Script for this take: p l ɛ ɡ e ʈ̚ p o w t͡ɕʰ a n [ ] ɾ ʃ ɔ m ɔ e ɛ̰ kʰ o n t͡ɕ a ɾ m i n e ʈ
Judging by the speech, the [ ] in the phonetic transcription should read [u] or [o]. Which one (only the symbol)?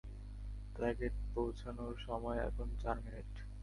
o